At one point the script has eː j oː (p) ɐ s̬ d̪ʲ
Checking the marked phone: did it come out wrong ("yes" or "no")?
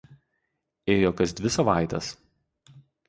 yes